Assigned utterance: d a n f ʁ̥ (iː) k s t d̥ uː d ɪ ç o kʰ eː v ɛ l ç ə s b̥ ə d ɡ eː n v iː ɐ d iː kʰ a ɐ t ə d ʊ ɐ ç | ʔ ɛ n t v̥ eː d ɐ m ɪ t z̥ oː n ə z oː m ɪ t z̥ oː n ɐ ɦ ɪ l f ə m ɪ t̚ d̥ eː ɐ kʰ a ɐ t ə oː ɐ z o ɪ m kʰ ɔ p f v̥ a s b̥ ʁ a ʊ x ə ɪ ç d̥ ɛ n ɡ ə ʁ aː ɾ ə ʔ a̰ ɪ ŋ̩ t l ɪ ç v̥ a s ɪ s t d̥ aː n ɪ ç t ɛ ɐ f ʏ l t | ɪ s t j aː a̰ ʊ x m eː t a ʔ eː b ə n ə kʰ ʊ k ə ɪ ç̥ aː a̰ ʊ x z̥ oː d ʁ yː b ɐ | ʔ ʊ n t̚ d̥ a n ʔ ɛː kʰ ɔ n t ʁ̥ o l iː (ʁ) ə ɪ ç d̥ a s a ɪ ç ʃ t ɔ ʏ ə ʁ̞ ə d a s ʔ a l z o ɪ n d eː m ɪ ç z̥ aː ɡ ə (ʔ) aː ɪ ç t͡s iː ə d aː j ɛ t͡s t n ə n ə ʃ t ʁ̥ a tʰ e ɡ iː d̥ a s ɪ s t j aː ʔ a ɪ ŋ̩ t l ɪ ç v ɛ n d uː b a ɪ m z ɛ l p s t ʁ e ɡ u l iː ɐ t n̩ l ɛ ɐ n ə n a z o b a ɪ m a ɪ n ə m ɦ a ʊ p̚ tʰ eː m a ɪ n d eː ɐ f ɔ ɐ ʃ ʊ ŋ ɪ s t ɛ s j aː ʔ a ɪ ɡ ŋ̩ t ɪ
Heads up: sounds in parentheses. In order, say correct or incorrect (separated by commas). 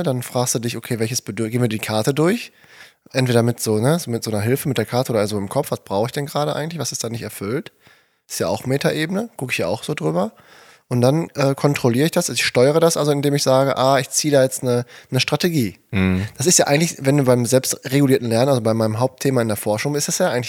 incorrect, correct, correct